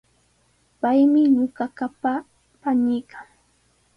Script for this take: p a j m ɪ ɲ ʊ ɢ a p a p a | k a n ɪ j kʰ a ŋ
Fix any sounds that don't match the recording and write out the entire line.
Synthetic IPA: p a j m ɪ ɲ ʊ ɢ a k a p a | p a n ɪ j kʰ a ŋ